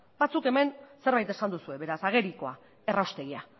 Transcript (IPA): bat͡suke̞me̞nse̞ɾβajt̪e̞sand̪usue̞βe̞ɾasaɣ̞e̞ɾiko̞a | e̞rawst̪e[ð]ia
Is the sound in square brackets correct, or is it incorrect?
incorrect